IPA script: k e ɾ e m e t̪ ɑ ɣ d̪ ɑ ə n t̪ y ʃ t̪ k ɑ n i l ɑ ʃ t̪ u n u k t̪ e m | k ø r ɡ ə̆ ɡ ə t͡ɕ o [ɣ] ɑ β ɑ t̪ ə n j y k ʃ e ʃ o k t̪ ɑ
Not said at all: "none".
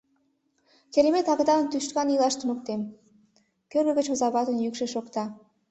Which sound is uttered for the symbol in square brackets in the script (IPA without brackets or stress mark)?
z